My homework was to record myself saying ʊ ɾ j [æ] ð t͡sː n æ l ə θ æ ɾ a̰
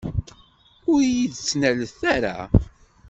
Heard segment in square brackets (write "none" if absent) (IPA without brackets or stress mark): i